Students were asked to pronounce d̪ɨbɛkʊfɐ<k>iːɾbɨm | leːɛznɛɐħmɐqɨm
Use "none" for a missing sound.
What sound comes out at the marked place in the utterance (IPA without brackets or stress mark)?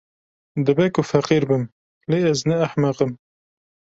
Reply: q